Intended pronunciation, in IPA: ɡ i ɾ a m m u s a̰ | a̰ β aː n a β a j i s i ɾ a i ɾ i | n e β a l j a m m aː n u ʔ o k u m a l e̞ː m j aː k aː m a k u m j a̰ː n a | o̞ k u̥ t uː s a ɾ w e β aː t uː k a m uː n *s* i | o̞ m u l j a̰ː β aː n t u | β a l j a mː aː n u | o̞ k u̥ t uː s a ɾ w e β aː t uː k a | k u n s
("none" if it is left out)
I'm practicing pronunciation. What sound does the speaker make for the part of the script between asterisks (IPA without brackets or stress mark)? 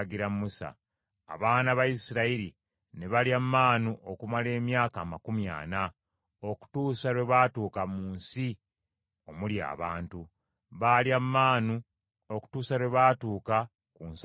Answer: s